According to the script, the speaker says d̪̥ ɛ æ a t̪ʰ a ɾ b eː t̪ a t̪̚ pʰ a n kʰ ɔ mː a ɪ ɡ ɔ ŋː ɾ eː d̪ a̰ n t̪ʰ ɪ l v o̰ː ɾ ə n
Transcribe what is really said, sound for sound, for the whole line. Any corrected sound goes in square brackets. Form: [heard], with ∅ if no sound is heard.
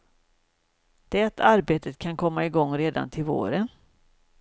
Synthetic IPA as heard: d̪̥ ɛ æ a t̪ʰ a ɾ b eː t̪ [ə] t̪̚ [kʰ] a n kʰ ɔ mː a ɪ ɡ ɔ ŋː ɾ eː d̪ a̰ n t̪ʰ ɪ l v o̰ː ɾ ə n

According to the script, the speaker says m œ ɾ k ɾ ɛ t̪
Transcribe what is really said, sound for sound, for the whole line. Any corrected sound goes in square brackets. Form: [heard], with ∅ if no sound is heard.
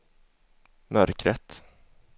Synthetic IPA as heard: m œ ɾ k ɾ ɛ t̪

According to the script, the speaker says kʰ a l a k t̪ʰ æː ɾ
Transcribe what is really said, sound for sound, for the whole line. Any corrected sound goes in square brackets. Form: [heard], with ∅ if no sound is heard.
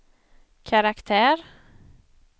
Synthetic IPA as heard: kʰ a [ɾ] a k t̪ʰ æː ɾ

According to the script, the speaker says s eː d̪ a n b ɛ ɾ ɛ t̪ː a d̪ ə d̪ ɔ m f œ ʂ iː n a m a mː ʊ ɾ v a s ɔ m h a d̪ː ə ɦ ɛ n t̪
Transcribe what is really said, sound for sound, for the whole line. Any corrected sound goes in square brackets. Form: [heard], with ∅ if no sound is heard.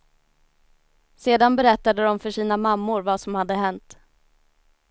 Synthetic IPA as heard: s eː d̪ a n b ɛ ɾ ɛ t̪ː a d̪ ə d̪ ɔ m f œ ʂ iː n a m a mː ʊ ɾ v a s ɔ m h a d̪ː ə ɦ ɛ n t̪

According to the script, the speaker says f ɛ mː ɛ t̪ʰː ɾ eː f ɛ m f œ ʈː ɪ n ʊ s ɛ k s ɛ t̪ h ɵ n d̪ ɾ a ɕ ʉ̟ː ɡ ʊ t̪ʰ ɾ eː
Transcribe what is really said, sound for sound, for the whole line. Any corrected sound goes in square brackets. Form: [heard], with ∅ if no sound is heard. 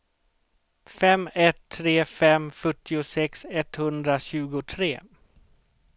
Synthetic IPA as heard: f ɛ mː ɛ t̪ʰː ɾ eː f ɛ m f œ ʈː ɪ [∅] ʊ s ɛ k s ɛ t̪ h ɵ n d̪ ɾ a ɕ ʉ̟ː ɡ ʊ t̪ʰ ɾ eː

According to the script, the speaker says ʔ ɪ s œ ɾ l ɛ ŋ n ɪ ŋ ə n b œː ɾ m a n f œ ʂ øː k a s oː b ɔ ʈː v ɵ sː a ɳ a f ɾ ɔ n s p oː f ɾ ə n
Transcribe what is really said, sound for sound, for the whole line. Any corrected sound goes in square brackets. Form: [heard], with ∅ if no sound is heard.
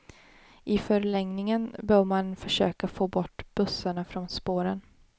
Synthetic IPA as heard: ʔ ɪ [f] œ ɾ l ɛ ŋ n ɪ ŋ ə n b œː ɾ m a n f œ ʂ øː k a [f] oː b ɔ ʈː [b] ɵ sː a ɳ a f ɾ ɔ n s p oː [∅] ɾ ə n

